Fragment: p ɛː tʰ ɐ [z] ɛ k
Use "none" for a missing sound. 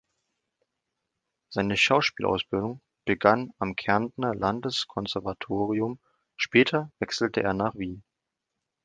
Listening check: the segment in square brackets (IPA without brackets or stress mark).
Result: v